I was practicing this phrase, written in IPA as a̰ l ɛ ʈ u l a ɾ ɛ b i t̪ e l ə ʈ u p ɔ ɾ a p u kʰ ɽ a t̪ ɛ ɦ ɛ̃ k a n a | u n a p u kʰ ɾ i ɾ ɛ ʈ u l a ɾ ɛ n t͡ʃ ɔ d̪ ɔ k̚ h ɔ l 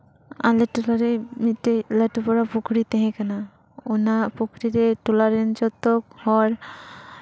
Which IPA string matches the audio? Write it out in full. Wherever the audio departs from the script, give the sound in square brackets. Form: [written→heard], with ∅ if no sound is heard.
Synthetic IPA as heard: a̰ l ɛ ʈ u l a ɾ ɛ [b→m] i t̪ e l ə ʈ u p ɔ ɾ a p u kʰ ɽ [a→i] t̪ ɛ ɦ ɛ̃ k a n a | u n a p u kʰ ɾ i ɾ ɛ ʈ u l a ɾ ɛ n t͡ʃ ɔ [d̪→t̪] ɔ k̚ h ɔ [l→ɾ]